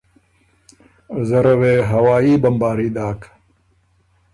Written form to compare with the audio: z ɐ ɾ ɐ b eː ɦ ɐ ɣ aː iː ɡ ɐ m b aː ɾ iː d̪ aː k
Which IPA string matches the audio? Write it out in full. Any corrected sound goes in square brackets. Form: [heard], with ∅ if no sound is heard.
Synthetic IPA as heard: z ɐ ɾ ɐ [w] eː ɦ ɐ [w] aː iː [b] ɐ m b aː ɾ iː d̪ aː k